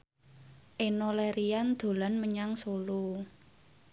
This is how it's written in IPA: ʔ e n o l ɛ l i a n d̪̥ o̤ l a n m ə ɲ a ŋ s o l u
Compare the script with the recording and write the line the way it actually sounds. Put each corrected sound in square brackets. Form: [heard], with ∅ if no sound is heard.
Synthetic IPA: ʔ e n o l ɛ [ɾ] i a n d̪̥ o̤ l a n m ə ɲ a ŋ s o l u